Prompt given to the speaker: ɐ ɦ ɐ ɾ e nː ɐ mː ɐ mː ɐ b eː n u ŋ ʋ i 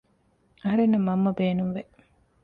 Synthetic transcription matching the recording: ɐ ɦ ɐ ɾ e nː ɐ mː ɐ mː ɐ b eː n u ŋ ʋ e